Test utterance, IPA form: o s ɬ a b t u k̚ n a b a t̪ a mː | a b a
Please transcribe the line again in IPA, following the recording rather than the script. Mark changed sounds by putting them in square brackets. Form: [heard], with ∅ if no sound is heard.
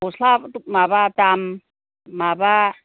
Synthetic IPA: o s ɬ a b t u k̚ [m] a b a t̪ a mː | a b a